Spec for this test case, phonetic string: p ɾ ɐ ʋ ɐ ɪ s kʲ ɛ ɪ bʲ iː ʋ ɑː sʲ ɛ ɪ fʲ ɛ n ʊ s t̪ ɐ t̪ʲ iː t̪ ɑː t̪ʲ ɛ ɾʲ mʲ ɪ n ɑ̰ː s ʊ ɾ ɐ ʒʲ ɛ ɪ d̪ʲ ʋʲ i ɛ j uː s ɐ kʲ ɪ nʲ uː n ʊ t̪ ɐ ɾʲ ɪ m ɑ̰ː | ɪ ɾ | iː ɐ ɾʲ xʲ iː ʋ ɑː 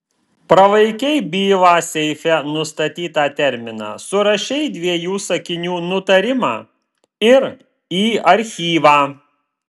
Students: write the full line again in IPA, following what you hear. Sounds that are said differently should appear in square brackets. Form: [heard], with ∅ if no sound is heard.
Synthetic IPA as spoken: p ɾ ɐ ʋ ɐ ɪ [∅] kʲ ɛ ɪ bʲ iː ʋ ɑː sʲ ɛ ɪ fʲ ɛ n ʊ s t̪ ɐ t̪ʲ iː t̪ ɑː t̪ʲ ɛ ɾʲ mʲ ɪ n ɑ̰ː s ʊ ɾ ɐ [ʃʲ] ɛ ɪ d̪ʲ ʋʲ i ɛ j uː s ɐ kʲ ɪ nʲ uː n ʊ t̪ ɐ ɾʲ ɪ m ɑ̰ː | ɪ ɾ | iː ɐ ɾʲ xʲ iː ʋ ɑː

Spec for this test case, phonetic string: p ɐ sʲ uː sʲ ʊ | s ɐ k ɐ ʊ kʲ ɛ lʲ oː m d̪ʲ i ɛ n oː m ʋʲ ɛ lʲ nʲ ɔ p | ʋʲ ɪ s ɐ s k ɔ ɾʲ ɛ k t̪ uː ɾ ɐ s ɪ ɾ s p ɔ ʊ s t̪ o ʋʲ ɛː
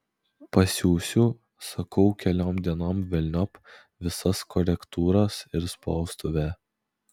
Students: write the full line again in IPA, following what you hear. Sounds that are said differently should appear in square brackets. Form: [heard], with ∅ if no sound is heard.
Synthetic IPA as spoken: p ɐ sʲ uː sʲ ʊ | s ɐ k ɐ ʊ kʲ ɛ lʲ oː m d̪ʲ i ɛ n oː m ʋʲ ɛ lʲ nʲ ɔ p | ʋʲ ɪ s ɐ s k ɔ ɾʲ ɛ k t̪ uː ɾ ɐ s ɪ ɾ s p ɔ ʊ s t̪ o ʋʲ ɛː

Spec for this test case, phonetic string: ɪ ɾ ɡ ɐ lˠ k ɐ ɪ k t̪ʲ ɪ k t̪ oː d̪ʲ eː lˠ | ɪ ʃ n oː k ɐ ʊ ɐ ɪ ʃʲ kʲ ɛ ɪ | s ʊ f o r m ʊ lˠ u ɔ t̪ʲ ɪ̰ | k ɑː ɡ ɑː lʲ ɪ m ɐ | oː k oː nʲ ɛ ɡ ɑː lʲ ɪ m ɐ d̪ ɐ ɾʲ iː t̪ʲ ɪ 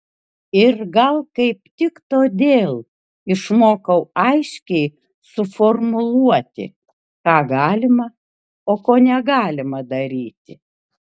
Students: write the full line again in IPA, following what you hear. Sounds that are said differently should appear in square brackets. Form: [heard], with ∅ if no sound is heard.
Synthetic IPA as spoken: ɪ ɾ ɡ ɐ lˠ k ɐ ɪ [p] t̪ʲ ɪ k t̪ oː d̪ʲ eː lˠ | ɪ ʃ [m] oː k ɐ ʊ ɐ ɪ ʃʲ kʲ ɛ ɪ | s ʊ f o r m ʊ lˠ u ɔ t̪ʲ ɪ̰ | k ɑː ɡ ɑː lʲ ɪ m ɐ | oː k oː nʲ ɛ ɡ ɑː lʲ ɪ m ɐ d̪ ɐ ɾʲ iː t̪ʲ ɪ

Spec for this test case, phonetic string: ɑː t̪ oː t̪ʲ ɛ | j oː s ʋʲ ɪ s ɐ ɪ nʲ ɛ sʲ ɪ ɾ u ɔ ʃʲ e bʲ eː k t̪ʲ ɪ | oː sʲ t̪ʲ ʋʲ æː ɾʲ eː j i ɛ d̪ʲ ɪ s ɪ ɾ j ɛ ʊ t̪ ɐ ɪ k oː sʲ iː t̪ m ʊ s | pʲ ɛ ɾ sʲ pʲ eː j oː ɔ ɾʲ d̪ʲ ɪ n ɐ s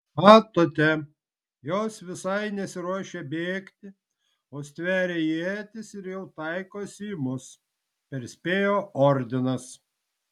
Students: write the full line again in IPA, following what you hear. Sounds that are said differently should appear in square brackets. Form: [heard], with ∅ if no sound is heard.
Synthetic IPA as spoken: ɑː t̪ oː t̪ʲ ɛ | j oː s ʋʲ ɪ s ɐ ɪ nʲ ɛ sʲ ɪ ɾ u ɔ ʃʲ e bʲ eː k t̪ʲ ɪ | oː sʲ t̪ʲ ʋʲ æː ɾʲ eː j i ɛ [t̪ʲ] ɪ s ɪ ɾ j ɛ ʊ t̪ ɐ ɪ k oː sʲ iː [∅] m ʊ s | pʲ ɛ ɾ sʲ pʲ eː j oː ɔ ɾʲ d̪ʲ ɪ n ɐ s

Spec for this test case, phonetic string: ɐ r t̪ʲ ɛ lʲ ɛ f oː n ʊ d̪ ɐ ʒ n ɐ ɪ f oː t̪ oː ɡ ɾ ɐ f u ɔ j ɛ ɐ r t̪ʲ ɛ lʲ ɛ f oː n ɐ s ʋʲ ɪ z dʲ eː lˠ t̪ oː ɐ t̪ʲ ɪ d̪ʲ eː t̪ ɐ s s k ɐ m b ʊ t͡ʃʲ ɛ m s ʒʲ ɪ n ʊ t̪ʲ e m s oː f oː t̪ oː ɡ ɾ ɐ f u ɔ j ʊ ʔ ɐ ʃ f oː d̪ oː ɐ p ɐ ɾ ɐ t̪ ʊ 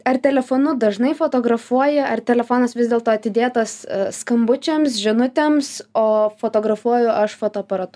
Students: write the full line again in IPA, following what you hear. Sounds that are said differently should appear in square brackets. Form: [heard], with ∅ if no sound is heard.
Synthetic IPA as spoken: ɐ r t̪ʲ ɛ lʲ ɛ f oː n ʊ d̪ ɐ ʒ n ɐ ɪ f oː t̪ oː ɡ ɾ ɐ f u ɔ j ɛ ɐ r t̪ʲ ɛ lʲ ɛ f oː n ɐ s ʋʲ ɪ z dʲ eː lˠ t̪ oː ɐ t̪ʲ ɪ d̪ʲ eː t̪ ɐ s s k ɐ m b ʊ t͡ʃʲ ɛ m s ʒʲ ɪ n ʊ t̪ʲ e m s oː f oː t̪ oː ɡ ɾ ɐ f u ɔ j ʊ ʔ ɐ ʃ f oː [t̪] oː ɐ p ɐ ɾ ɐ t̪ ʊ

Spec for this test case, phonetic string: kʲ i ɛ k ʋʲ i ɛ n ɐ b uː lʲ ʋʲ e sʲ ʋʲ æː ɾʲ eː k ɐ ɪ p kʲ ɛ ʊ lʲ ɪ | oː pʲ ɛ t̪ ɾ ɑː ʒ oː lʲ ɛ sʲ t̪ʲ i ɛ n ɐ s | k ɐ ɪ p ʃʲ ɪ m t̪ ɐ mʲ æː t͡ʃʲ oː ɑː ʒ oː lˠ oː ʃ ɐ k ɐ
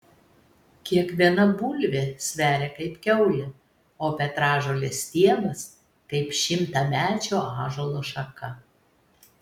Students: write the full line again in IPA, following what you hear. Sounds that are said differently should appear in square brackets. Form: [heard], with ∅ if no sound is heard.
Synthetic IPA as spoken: kʲ i ɛ k ʋʲ i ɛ n ɐ b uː lʲ ʋʲ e sʲ ʋʲ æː ɾʲ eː k ɐ ɪ p kʲ ɛ ʊ lʲ ɪ | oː pʲ ɛ t̪ ɾ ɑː ʒ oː lʲ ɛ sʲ t̪ʲ i ɛ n ɐ s | k ɐ ɪ p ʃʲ ɪ m t̪ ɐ mʲ æː t͡ʃʲ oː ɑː ʒ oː lˠ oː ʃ ɐ k ɐ

